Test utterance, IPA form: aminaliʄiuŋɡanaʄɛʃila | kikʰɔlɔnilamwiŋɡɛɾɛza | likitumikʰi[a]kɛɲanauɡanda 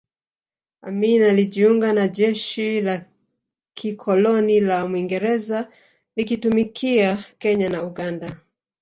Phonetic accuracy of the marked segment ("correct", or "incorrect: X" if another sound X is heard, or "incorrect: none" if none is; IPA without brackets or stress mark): correct